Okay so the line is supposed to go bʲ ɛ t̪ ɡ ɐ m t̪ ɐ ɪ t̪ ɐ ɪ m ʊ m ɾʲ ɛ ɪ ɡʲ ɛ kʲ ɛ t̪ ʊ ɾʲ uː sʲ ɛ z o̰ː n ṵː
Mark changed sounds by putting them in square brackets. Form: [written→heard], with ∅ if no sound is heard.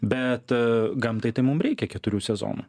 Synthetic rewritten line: bʲ ɛ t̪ ɡ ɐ m t̪ ɐ ɪ t̪ ɐ ɪ m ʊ m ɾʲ ɛ ɪ [ɡʲ→kʲ] ɛ kʲ ɛ t̪ ʊ ɾʲ uː sʲ ɛ z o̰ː n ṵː